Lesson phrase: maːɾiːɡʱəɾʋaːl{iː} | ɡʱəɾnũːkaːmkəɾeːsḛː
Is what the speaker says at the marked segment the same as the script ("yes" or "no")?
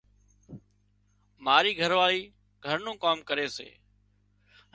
yes